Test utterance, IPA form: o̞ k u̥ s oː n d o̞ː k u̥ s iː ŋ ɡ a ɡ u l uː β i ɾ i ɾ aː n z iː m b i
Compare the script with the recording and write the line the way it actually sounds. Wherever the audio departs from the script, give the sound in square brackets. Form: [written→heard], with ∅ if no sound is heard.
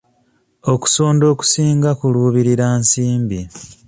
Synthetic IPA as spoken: o̞ k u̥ s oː n d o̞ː k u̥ s iː ŋ ɡ a [ɡ→k] u l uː β i ɾ i ɾ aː n [z→s] iː m b i

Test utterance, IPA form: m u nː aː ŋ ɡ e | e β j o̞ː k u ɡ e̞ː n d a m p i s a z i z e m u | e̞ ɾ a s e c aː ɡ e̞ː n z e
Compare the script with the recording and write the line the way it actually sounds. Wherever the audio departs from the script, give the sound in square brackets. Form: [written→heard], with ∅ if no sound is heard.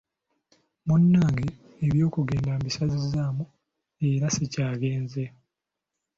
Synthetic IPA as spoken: m u nː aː ŋ ɡ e | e β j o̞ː k u ɡ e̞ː n d a m [p→b] i s a z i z [e→a] m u | e̞ ɾ a s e c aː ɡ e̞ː n z e

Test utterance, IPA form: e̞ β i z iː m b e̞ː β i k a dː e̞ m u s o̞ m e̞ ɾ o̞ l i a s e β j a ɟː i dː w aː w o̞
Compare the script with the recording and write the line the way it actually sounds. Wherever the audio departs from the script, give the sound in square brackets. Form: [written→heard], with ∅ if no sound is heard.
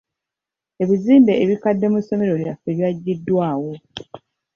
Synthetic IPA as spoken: e̞ β i z iː m b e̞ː β i k a dː e̞ m u s o̞ m e̞ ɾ o̞ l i a [s→f] e β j a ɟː i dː w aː w o̞

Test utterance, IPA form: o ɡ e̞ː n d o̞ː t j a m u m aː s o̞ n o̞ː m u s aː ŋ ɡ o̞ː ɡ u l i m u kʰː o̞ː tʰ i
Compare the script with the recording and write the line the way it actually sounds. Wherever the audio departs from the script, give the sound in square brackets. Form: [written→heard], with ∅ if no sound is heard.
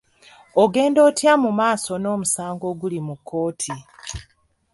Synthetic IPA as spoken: o ɡ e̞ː n d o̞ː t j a m u m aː s o̞ n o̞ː m u s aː ŋ ɡ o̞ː ɡ u l i m u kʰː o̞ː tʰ i

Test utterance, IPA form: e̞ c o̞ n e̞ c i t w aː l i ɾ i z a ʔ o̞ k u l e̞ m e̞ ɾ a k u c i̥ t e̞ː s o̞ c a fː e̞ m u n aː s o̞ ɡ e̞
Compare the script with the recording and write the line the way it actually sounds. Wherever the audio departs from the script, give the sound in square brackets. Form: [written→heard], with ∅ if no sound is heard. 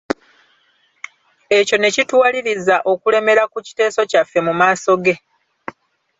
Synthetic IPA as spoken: e̞ c o̞ n e̞ c i t w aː l i ɾ i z a ʔ o̞ k u l e̞ m e̞ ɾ a k u c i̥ t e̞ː s o̞ c a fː e̞ m u [n→m] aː s o̞ ɡ e̞

